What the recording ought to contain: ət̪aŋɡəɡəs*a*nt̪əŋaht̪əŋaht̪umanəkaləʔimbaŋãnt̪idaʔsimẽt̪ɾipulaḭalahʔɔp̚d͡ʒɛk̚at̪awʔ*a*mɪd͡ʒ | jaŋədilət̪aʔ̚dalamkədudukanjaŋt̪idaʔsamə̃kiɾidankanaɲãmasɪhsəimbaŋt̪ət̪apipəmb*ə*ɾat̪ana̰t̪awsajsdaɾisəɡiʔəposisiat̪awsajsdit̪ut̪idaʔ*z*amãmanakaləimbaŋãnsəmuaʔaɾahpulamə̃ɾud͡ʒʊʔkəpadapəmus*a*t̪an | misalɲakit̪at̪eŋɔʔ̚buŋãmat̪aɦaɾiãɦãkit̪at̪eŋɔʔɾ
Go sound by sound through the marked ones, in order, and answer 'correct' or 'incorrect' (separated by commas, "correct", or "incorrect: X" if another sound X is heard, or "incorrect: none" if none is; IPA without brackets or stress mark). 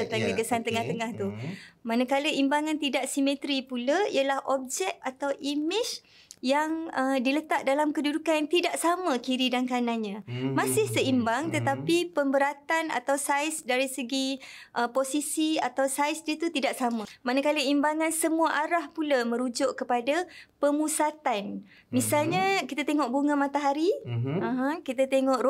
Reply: correct, incorrect: i, correct, incorrect: s, correct